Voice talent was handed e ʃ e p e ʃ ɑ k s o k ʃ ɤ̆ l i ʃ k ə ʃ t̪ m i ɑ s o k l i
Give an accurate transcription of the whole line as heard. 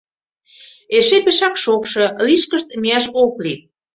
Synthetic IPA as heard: e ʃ e p e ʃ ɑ k ʃ o k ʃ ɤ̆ l i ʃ k ə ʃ t̪ m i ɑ ʃ o k l i